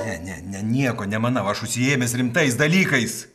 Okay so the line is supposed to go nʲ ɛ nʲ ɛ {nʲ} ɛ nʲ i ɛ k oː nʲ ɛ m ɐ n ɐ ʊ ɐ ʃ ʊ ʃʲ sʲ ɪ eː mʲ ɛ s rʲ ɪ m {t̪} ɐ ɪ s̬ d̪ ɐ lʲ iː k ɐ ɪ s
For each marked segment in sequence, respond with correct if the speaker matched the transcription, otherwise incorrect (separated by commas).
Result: correct, correct